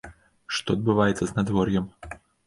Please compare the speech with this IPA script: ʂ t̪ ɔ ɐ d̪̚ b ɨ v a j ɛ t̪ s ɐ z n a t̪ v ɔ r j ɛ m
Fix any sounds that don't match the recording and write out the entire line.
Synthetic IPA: ʂ t̪ ɔ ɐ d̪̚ b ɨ v a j ɛ t̪ s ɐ z n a d̪ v ɔ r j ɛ m